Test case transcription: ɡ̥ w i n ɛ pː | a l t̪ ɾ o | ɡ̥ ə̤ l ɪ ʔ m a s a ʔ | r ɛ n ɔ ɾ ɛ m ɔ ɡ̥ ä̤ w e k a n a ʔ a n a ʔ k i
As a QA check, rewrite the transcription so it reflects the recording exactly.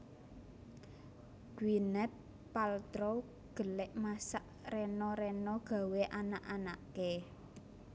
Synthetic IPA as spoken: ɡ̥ w i n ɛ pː | a l t̪ ɾ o | ɡ̥ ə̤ l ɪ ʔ m a s a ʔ | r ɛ n ɔ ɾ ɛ n ɔ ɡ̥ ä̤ w e ʔ a n a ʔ a n a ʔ k e

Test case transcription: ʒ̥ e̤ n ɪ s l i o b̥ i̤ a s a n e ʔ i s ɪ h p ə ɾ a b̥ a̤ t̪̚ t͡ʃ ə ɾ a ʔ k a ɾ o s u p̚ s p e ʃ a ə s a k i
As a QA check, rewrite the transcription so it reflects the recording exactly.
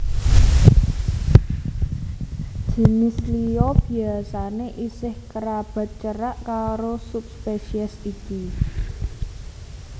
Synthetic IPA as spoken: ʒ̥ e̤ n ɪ s l i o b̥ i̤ a s a n e ʔ i s ɪ h k ə ɾ a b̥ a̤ t̪̚ t͡ʃ ə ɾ a ʔ k a ɾ o s u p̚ s p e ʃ i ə s i k i

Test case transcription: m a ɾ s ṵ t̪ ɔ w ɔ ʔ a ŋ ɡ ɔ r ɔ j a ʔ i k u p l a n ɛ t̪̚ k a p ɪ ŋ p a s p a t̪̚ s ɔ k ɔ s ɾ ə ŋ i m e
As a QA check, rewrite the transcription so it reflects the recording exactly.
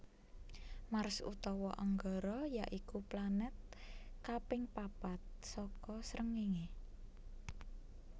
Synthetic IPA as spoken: m a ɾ s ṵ t̪ ɔ w ɔ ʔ a ŋ ɡ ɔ ɾ ɔ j a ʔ i k u p l a n ɛ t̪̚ k a p ɪ ŋ p a p a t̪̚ s ɔ k ɔ s ɾ ə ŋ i ŋ e

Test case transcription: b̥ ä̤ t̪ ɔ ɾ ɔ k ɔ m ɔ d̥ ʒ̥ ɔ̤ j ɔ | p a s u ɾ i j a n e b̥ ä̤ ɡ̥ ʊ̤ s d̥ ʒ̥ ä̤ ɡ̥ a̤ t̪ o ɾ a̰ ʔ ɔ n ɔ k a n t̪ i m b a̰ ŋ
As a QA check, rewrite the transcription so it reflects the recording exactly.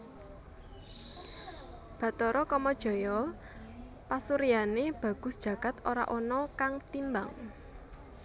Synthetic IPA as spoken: b̥ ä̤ t̪ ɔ ɾ ɔ k ɔ m ɔ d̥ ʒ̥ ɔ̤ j ɔ | p a s u ɾ i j a n e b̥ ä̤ ɡ̥ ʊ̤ s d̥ ʒ̥ ä̤ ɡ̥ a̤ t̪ o ɾ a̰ ʔ ɔ n ɔ k a ŋ t̪ i m b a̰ ŋ

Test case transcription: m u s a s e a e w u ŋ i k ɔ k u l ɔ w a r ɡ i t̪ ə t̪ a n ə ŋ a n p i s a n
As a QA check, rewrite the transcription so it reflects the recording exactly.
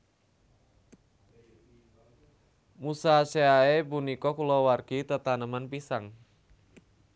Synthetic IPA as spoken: m u s a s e a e b u n i k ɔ k u l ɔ w a r ɡ i t̪ ə t̪ a n ə m a n p i s a ŋ

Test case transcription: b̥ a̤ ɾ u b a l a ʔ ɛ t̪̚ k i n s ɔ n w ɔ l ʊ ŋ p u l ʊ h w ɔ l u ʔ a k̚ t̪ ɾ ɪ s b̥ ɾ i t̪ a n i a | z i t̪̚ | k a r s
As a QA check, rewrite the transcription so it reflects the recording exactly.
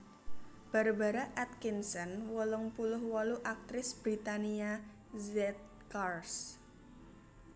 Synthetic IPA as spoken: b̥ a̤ ɾ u b a ɾ a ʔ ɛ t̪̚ k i n s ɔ n w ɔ l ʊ ŋ p u l ʊ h w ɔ l u ʔ a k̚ t̪ ɾ ɪ s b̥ ɾ i t̪ a n i a | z ɛ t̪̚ | k a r s

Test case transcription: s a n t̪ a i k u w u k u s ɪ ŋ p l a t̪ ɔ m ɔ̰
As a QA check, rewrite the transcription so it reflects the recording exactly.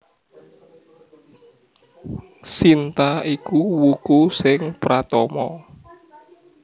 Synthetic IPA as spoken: s i n t̪ a i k u w u k u s ɪ ŋ p ɾ a t̪ ɔ m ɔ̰

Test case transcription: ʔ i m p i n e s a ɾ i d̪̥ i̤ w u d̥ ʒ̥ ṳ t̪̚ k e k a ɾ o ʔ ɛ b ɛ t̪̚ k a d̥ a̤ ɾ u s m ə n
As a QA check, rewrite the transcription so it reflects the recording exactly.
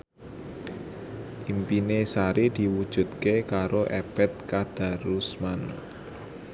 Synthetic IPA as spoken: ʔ i m p i n e s a ɾ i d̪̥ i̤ w u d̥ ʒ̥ ṳ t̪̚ k e k a ɾ o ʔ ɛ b ɛ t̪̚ k a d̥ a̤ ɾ u s m a n

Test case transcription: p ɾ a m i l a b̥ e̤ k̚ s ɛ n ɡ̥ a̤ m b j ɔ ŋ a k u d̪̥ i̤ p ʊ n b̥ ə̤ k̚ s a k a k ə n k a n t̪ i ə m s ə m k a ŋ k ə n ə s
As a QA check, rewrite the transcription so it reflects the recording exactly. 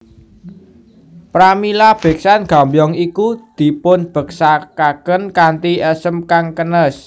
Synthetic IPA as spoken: p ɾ a m i l a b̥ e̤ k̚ s a n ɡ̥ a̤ m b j ɔ ŋ i k u d̪̥ i̤ p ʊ n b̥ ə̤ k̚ s a k a k ə n k a n t̪ i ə s ə m k a ŋ k ə n ə s

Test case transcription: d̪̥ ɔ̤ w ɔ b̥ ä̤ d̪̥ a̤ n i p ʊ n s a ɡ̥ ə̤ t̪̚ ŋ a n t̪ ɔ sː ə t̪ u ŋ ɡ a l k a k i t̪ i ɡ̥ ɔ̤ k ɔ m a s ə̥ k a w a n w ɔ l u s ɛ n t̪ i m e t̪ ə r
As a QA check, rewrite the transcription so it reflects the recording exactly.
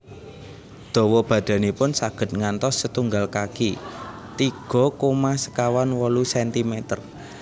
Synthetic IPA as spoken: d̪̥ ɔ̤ w ɔ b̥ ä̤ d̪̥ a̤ n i p ʊ n s a ɡ̥ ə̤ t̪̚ ŋ a n t̪ ɔ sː ə t̪ u ŋ ɡ a l k a k i t̪ i ɡ̥ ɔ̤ k o m a s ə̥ k a w a n w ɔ l u s ɛ n t̪ i m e t̪ ə r

